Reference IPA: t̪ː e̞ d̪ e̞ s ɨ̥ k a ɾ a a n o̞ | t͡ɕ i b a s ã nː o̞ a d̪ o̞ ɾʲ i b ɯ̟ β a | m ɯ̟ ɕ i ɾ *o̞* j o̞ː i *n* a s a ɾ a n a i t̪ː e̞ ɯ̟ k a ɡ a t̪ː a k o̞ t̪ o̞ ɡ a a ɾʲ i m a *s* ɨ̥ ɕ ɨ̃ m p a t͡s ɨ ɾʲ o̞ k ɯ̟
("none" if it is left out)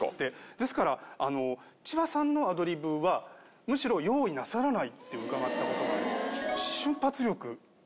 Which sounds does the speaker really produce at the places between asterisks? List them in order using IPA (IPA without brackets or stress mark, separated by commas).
o̞, n, s